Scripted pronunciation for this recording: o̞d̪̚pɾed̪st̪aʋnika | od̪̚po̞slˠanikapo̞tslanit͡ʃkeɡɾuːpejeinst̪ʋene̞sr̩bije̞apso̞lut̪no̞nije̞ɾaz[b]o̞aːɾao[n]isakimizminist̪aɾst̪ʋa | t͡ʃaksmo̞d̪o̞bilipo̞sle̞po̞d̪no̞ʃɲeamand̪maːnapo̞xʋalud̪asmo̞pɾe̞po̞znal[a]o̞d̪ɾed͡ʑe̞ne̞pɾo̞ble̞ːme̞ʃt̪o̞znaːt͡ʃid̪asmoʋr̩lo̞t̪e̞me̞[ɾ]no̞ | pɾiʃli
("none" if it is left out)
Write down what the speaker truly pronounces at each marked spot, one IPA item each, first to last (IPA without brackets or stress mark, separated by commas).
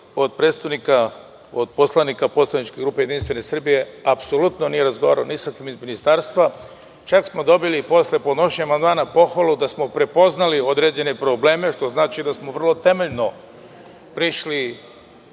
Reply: ɡ, n, i, ʎ